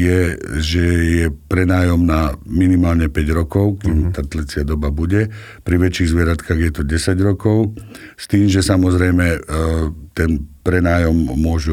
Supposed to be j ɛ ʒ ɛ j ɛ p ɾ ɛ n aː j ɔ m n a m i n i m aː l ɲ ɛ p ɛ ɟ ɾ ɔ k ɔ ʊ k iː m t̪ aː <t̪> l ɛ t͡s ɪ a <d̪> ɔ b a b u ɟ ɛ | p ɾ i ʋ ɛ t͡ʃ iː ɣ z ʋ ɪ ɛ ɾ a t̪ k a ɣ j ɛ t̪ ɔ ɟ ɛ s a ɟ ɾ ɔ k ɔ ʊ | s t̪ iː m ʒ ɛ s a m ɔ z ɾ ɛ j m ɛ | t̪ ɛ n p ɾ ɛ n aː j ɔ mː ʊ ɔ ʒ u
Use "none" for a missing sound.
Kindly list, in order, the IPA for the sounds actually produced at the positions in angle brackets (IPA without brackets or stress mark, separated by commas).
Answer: t̪, d̪